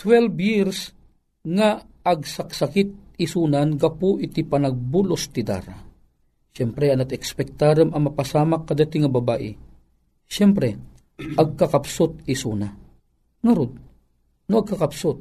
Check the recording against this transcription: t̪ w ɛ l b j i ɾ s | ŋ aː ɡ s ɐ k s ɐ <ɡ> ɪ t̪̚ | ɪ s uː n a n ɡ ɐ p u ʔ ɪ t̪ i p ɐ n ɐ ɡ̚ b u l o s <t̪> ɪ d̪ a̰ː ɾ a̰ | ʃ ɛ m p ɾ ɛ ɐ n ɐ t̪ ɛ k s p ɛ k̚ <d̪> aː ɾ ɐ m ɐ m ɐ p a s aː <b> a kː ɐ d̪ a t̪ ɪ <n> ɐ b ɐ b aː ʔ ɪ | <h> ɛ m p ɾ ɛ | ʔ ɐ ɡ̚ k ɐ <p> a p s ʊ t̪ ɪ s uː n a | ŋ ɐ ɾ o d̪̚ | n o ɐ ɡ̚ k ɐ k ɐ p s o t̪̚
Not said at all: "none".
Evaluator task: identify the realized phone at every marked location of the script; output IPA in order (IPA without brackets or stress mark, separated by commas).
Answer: k, t̪, t̪, m, ŋ, ʃ, k